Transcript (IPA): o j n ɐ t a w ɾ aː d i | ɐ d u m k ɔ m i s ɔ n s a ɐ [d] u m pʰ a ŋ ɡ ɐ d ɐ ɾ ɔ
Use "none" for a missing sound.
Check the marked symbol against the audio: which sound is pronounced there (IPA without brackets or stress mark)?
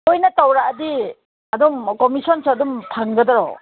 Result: d